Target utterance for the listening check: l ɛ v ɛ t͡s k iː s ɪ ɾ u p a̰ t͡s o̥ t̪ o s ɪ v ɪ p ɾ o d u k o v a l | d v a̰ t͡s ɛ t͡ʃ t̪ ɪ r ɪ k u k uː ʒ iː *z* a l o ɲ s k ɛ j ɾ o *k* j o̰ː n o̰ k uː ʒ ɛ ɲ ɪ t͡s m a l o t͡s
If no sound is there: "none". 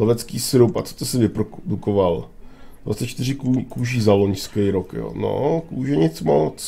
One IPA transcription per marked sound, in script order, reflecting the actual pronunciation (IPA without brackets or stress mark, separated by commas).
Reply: z, k